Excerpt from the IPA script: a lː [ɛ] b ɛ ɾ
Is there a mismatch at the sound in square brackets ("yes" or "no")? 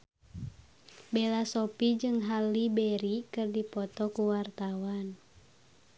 yes